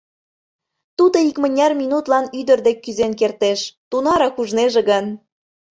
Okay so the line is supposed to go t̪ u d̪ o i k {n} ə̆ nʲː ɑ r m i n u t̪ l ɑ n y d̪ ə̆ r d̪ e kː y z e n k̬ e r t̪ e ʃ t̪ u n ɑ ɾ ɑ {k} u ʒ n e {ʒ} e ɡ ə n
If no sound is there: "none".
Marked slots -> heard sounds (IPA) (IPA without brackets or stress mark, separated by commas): m, k, ʒ